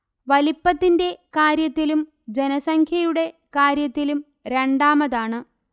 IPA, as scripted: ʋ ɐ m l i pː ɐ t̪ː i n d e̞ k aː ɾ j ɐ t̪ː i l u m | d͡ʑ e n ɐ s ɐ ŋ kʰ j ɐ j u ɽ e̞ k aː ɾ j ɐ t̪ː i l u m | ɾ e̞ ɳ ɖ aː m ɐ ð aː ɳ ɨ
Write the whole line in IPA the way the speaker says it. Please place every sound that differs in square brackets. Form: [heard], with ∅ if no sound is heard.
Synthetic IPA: ʋ ɐ [∅] l i pː ɐ t̪ː i n d e̞ k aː ɾ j ɐ t̪ː i l u m | d͡ʑ e n ɐ s ɐ ŋ kʰ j ɐ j u ɽ e̞ k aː ɾ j ɐ t̪ː i l u m | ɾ e̞ ɳ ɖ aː m ɐ ð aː ɳ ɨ